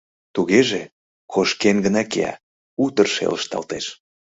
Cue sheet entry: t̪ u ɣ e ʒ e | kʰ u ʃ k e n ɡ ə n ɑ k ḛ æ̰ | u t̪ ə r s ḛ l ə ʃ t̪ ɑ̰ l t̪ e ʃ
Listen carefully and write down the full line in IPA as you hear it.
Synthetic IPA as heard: t̪ u ɣ e ʒ e | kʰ o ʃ k e n ɡ ə n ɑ k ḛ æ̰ | u t̪ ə r ʃ ḛ l ə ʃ t̪ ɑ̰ l t̪ e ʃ